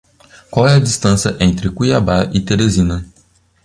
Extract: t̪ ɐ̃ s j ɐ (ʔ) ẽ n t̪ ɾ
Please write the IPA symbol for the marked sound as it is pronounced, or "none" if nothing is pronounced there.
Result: ʔ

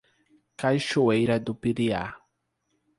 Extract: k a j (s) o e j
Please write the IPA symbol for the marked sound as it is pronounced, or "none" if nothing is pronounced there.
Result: ʃ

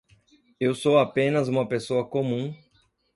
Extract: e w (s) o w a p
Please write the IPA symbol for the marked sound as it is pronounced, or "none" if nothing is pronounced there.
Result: s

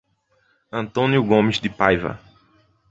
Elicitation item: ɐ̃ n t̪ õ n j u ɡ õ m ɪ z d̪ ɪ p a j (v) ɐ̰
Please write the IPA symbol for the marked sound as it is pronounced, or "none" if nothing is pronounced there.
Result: v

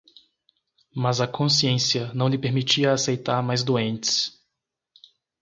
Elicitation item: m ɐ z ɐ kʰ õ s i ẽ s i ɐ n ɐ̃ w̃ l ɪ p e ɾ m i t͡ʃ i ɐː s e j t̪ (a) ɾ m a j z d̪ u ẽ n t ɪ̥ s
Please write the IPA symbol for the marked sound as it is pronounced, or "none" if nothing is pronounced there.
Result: a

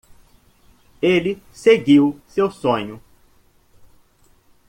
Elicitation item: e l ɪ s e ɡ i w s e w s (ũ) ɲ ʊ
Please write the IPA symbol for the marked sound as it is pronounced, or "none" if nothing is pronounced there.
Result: õ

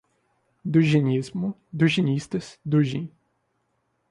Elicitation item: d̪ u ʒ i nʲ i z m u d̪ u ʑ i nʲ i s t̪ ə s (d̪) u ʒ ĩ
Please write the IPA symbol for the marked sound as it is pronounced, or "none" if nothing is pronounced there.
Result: d̪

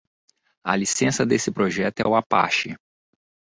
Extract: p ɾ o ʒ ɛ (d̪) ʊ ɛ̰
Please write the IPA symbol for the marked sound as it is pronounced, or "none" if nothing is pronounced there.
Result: t̪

